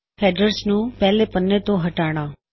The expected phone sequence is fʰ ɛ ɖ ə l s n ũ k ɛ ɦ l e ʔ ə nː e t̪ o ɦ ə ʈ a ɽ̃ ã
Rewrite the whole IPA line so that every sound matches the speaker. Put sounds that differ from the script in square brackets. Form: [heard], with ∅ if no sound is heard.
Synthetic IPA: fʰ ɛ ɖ ə [ɾ] s n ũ [p] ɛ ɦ l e [p] ə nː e t̪ o ɦ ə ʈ a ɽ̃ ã